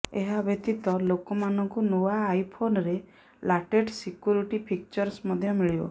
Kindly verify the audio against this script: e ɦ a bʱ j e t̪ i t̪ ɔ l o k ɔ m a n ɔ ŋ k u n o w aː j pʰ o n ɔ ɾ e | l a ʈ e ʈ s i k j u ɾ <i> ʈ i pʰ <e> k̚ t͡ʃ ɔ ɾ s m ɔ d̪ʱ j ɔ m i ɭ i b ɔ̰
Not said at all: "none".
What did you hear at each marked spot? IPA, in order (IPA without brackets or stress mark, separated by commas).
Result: i, i